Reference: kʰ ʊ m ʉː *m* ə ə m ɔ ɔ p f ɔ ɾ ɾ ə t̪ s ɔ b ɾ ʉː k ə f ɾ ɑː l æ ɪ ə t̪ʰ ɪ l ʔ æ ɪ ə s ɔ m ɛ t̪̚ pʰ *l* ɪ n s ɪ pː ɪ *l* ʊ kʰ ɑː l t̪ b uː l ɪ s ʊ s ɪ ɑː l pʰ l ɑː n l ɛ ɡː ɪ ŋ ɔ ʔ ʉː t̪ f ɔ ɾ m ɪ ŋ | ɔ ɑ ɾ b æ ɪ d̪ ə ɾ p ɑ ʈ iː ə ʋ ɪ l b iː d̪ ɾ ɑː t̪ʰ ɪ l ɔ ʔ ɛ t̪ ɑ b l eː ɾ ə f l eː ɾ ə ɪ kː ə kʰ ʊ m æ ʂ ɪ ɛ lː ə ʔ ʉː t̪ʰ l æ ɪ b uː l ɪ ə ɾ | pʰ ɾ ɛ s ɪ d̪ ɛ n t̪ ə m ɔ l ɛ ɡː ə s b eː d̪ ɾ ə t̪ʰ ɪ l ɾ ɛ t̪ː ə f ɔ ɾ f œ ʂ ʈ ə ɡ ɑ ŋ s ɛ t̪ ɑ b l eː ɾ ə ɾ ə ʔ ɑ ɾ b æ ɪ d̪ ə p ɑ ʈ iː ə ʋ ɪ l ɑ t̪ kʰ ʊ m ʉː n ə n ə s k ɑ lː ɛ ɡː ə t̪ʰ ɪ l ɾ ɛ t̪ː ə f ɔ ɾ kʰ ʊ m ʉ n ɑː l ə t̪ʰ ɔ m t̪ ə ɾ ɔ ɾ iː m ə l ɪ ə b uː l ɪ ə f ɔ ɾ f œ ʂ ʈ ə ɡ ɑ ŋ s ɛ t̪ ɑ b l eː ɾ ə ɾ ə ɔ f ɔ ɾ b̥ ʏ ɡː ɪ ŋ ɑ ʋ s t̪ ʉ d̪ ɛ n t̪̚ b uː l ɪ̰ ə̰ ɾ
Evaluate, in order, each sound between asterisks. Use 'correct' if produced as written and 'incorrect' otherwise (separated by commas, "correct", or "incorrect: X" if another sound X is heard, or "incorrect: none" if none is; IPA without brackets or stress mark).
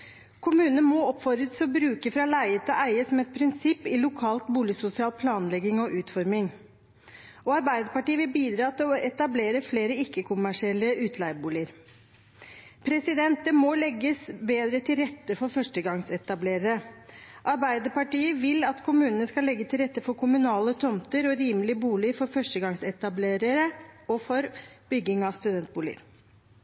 incorrect: n, incorrect: ɾ, correct